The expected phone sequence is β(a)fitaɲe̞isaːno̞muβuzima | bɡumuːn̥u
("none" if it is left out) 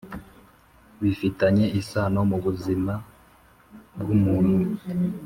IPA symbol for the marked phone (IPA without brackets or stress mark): i